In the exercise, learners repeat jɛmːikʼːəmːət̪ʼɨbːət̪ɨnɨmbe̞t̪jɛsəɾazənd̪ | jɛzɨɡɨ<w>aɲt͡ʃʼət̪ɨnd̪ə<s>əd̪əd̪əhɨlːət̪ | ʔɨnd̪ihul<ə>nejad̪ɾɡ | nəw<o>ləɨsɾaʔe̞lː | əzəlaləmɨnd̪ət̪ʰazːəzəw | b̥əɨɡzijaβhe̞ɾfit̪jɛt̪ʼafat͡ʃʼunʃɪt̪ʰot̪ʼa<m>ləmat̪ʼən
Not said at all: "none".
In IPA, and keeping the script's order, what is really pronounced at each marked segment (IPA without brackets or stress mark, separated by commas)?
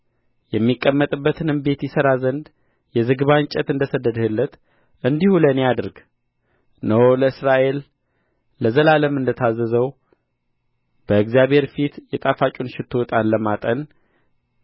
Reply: β, s, ə, o, n